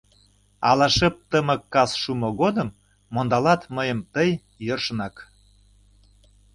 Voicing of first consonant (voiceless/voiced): voiced